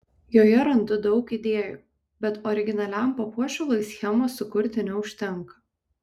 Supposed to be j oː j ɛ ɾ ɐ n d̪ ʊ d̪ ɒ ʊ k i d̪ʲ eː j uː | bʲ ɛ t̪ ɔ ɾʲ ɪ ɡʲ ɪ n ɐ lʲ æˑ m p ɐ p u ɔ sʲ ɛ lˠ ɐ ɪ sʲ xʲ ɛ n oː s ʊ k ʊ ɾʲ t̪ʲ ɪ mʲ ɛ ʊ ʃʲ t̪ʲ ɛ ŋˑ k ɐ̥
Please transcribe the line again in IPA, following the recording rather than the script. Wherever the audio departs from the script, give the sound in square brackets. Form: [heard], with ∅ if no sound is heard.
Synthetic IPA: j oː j ɛ ɾ ɐ n d̪ ʊ d̪ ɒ ʊ k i d̪ʲ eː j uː | bʲ ɛ t̪ ɔ ɾʲ ɪ ɡʲ ɪ n ɐ lʲ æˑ m p ɐ p u ɔ [ʃʲ] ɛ lˠ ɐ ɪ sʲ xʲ ɛ [m] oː s ʊ k ʊ ɾʲ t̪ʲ ɪ [nʲ] ɛ ʊ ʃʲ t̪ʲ ɛ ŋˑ k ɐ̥